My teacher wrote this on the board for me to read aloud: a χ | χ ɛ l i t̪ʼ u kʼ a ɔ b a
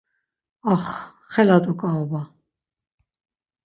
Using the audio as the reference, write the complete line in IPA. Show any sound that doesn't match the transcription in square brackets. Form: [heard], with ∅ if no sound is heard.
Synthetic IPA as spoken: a χ | χ ɛ l [a] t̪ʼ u kʼ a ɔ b a